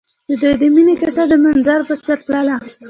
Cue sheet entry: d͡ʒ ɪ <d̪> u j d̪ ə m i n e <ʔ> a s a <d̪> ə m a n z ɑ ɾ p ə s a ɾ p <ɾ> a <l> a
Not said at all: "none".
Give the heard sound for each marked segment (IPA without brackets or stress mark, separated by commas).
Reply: d̪, k, d̪, l, l